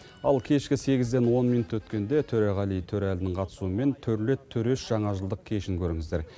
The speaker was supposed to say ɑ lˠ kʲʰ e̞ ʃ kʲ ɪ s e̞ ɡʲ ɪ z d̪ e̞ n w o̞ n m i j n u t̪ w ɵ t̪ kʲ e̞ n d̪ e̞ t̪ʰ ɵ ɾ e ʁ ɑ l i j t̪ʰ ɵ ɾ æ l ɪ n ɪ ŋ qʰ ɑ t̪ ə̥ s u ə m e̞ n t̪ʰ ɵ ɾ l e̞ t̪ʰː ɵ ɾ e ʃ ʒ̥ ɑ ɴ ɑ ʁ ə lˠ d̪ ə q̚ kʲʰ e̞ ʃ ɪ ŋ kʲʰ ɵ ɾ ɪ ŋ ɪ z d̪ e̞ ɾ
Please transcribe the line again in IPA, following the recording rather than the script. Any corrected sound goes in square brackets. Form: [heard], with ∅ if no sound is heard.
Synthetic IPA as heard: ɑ lˠ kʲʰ e̞ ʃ kʲ ɪ s e̞ ɡʲ ɪ z d̪ e̞ n w o̞ n m i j n u t̪ w ɵ t̪ kʲ e̞ n d̪ e̞ t̪ʰ ɵ ɾ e ʁ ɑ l i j t̪ʰ ɵ ɾ æ l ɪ n ɪ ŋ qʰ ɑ t̪ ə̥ s u ə m e̞ n t̪ʰ ɵ ɾ l e̞ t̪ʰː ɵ ɾ e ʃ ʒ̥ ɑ ɴ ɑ [ʒ] ə lˠ d̪ ə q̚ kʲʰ e̞ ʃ ɪ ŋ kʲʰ ɵ ɾ ɪ ŋ ɪ z d̪ e̞ ɾ